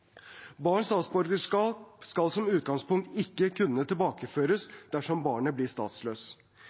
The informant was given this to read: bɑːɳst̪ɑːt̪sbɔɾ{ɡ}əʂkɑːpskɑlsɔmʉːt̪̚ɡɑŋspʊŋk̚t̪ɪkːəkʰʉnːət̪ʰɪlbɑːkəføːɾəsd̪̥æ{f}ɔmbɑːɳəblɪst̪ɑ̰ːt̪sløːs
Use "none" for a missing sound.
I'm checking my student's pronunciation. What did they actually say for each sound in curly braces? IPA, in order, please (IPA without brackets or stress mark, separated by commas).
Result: ɡ, ʂ